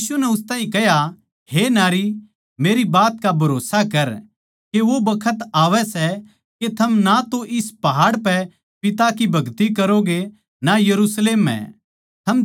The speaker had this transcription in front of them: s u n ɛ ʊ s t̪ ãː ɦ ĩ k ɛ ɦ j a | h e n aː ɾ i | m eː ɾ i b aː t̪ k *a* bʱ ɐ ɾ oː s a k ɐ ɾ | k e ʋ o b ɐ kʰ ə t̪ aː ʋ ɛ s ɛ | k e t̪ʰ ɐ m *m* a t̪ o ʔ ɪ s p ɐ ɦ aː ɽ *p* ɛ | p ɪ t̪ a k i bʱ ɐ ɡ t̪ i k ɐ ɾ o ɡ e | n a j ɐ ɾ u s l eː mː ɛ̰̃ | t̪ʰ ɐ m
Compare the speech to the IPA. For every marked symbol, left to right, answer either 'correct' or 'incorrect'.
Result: correct, incorrect, correct

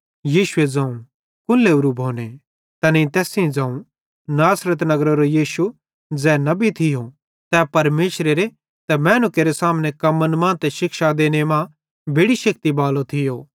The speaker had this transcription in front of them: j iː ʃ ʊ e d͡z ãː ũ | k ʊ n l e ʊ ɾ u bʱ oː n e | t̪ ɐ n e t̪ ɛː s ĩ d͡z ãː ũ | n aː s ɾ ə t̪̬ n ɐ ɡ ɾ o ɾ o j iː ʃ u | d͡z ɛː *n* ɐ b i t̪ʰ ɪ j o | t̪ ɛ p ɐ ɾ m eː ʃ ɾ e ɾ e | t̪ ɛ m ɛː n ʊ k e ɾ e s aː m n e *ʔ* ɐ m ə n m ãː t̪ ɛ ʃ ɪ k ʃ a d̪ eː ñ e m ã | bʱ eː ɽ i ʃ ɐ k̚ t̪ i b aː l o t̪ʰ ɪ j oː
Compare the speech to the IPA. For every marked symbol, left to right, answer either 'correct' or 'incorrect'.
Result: correct, incorrect

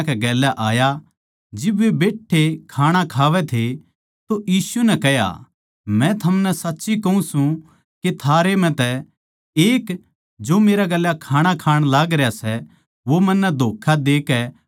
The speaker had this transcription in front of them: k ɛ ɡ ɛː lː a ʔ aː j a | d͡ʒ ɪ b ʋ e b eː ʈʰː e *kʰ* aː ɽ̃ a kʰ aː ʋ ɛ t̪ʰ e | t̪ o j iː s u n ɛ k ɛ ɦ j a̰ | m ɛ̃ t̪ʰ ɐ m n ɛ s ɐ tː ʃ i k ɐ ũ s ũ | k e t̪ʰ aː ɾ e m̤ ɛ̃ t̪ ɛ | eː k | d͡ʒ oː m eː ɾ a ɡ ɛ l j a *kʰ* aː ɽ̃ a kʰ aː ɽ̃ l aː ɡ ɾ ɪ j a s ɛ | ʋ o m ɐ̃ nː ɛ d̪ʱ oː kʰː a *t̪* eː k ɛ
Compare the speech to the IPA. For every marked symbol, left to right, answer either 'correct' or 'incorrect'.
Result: correct, correct, incorrect

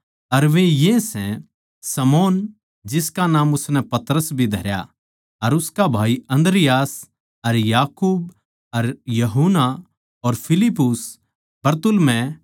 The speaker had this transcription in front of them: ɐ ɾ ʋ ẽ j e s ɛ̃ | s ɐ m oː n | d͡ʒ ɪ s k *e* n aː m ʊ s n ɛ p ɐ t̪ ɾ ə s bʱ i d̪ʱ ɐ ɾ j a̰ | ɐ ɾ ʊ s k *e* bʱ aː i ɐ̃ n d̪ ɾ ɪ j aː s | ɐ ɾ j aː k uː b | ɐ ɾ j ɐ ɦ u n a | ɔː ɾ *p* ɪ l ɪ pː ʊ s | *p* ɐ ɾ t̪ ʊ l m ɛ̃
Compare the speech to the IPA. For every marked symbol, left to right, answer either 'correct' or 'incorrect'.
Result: incorrect, incorrect, incorrect, incorrect

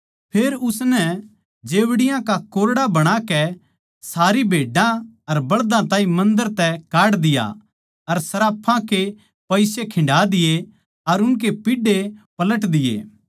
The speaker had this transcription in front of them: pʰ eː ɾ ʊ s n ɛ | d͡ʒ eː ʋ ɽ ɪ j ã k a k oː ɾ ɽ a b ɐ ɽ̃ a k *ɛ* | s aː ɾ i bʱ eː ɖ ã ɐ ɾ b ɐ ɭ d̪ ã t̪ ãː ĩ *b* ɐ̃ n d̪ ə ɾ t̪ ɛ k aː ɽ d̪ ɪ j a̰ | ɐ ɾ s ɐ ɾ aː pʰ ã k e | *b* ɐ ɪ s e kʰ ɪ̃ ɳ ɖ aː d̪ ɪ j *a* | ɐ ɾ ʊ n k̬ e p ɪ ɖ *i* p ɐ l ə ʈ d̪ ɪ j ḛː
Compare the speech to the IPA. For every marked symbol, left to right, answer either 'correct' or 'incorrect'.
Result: correct, incorrect, incorrect, incorrect, incorrect

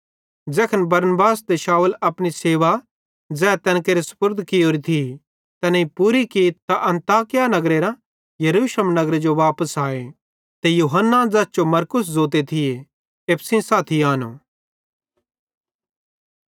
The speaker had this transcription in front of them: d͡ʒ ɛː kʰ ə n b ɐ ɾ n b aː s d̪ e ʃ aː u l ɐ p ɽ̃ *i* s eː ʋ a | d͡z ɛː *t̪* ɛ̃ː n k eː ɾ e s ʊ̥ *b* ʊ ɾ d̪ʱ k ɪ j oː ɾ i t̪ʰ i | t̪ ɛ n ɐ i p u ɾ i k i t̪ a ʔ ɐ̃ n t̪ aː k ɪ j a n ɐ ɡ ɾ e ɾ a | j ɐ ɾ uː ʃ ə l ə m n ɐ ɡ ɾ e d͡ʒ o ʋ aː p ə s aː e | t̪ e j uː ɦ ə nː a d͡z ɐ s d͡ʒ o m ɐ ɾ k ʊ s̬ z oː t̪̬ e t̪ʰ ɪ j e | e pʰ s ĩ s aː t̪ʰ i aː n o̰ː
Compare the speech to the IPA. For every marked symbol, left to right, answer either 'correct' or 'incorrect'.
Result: correct, correct, incorrect

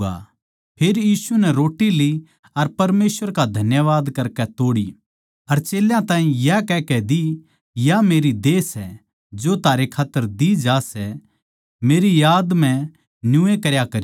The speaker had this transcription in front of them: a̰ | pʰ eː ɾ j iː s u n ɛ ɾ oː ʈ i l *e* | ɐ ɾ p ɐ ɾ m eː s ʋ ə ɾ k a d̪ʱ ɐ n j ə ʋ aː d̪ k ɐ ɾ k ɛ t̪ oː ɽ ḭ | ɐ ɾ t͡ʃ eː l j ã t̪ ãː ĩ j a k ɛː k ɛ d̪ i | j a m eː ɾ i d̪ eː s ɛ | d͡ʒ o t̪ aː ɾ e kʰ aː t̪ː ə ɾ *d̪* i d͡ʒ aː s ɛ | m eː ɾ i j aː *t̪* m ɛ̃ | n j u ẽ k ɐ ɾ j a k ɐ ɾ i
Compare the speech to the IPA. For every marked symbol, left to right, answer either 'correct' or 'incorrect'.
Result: incorrect, correct, incorrect

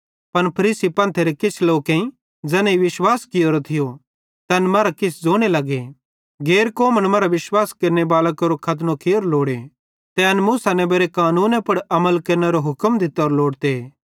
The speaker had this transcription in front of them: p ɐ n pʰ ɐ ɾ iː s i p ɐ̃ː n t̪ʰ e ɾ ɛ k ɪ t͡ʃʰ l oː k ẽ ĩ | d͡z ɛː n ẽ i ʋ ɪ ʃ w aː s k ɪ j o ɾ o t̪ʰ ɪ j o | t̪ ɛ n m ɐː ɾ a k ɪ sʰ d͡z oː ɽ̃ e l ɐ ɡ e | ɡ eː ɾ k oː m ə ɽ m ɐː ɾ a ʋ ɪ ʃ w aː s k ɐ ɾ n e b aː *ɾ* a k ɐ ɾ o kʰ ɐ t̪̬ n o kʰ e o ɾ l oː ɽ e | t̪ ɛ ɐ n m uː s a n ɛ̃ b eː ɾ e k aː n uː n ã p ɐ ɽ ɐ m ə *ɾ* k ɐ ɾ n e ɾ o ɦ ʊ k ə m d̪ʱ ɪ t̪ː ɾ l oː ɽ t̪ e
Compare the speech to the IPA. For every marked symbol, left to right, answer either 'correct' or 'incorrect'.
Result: incorrect, incorrect

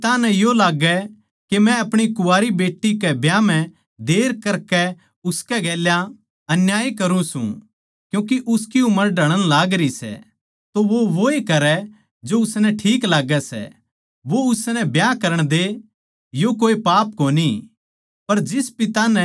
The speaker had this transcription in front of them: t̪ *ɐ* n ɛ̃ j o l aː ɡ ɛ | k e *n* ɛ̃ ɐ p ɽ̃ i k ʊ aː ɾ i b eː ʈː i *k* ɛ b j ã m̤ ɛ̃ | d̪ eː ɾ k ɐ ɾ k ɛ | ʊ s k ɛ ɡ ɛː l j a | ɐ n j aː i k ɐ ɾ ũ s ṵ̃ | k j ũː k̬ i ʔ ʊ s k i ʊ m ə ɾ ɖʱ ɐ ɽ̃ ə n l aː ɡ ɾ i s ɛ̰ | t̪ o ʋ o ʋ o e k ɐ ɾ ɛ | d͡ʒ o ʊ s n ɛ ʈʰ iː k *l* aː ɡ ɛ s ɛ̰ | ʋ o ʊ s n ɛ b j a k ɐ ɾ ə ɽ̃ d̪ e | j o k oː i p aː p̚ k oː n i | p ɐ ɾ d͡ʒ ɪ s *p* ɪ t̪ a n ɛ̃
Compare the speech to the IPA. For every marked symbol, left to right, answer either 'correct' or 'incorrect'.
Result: incorrect, incorrect, correct, correct, correct

